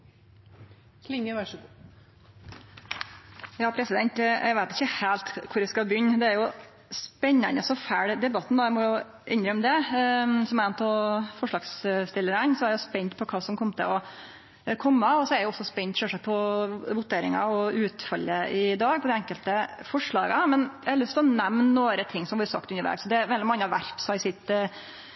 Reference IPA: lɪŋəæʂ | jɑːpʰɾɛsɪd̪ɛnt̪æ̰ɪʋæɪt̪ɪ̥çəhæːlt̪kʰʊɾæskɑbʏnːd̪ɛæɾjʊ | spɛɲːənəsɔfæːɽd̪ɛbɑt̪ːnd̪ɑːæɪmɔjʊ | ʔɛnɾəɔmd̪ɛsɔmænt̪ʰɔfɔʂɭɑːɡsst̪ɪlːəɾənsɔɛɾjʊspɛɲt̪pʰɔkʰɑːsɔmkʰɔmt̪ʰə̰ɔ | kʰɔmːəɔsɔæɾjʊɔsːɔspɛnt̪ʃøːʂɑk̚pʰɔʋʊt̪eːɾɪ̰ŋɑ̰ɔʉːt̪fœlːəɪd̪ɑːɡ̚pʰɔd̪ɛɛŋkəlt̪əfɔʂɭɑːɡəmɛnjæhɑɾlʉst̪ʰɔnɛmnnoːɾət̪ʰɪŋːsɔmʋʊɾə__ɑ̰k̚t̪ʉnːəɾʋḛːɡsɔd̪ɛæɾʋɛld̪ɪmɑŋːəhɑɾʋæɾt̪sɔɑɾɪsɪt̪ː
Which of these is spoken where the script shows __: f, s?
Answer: s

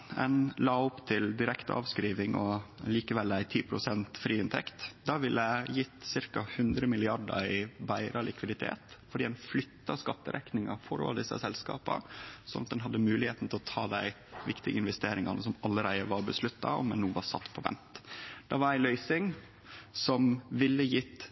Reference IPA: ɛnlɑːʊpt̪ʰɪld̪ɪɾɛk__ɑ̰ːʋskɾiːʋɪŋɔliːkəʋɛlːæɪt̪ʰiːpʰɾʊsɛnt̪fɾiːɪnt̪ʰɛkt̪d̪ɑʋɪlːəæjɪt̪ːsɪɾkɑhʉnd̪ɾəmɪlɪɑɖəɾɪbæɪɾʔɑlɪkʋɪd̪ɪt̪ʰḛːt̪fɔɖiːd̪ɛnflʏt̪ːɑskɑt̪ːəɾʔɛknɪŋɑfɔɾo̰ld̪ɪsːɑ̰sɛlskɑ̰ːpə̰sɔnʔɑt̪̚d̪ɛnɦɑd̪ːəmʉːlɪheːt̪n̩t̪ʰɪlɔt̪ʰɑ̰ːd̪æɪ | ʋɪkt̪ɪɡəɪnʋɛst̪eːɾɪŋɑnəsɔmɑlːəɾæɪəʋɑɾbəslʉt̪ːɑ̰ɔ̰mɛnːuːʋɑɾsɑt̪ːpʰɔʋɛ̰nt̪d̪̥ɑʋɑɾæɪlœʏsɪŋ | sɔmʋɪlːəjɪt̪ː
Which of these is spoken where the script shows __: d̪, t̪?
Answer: t̪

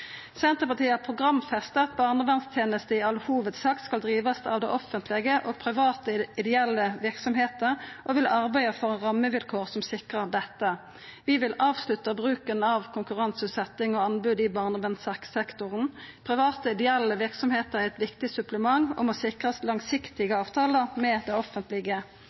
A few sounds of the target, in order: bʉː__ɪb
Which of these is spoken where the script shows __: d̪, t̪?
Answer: d̪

